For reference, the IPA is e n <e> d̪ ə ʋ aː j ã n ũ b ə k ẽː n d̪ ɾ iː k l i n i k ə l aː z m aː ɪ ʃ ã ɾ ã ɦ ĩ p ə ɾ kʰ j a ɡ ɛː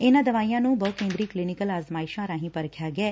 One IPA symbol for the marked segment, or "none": a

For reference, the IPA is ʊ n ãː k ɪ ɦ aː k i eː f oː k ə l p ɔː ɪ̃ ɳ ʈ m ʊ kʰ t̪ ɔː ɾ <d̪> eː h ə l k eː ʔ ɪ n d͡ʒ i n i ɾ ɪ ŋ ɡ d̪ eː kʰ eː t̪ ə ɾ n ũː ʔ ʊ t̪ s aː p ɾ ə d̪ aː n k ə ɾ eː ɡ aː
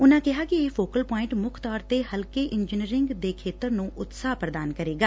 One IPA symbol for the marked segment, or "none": t̪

